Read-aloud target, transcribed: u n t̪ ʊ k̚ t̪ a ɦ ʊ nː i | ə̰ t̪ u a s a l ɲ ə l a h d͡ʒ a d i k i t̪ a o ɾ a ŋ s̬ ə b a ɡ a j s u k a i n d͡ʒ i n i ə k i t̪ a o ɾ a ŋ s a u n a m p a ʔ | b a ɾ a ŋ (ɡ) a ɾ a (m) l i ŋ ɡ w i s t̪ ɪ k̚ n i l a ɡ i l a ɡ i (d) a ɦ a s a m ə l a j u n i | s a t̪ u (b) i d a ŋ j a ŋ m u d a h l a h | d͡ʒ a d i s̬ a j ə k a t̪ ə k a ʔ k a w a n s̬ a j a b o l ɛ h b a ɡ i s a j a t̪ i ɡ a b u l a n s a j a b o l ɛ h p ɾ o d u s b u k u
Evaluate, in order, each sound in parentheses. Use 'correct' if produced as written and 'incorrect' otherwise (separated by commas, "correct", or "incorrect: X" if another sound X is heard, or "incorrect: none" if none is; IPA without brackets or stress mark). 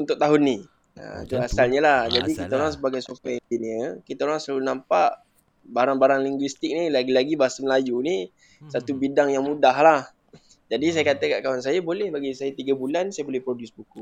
incorrect: b, incorrect: ŋ, incorrect: b, correct